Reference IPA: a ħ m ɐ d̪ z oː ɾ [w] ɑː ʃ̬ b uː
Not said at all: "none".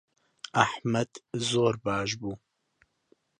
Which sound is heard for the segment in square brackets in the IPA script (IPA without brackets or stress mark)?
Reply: b